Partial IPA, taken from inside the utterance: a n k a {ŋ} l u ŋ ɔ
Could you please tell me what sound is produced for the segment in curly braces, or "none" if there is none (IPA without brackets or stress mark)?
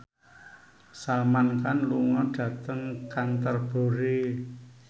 n